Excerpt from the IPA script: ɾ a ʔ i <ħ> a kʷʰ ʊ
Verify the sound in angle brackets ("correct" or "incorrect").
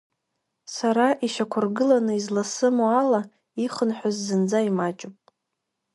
incorrect